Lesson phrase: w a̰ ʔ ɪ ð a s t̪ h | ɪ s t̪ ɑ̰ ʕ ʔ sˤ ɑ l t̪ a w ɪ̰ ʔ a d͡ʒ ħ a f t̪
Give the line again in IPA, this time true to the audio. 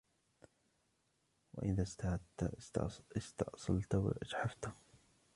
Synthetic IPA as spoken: w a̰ ʔ ɪ ð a s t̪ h | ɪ s t̪ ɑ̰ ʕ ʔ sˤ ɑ l t̪ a w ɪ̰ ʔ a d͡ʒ ħ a f t̪